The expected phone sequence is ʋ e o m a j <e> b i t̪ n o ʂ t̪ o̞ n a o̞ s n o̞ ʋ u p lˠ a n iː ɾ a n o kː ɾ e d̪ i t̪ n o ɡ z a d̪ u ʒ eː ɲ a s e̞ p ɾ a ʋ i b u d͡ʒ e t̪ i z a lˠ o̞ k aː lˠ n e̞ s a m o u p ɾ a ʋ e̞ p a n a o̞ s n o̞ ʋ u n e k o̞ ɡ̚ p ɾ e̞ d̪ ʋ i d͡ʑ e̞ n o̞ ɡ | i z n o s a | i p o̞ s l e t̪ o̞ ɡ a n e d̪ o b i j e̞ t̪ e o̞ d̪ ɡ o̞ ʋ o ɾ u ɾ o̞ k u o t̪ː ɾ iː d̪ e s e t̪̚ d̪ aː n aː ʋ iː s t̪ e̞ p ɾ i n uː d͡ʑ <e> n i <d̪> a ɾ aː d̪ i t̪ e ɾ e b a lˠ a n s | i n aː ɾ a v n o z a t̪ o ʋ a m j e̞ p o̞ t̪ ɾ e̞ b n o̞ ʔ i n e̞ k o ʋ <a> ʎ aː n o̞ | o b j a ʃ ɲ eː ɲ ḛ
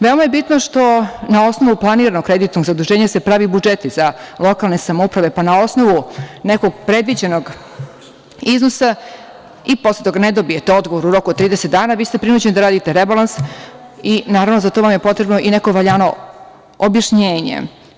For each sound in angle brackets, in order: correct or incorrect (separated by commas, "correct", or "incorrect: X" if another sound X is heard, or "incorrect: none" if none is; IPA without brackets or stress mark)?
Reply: correct, correct, correct, correct